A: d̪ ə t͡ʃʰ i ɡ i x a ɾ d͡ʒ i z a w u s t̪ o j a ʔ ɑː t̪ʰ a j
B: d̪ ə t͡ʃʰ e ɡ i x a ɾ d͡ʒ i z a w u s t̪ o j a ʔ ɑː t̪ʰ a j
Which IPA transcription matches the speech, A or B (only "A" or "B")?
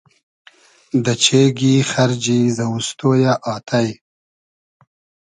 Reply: B